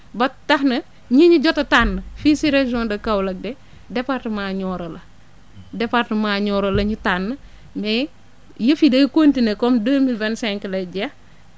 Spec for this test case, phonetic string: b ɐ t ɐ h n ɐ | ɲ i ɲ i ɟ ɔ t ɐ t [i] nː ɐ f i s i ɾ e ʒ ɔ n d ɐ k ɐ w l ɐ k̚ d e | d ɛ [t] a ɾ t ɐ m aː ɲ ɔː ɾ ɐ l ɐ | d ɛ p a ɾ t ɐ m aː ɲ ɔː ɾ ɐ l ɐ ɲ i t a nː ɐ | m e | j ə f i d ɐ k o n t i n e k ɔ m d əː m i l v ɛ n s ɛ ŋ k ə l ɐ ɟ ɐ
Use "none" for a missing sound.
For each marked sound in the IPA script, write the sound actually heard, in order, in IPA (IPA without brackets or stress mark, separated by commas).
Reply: a, p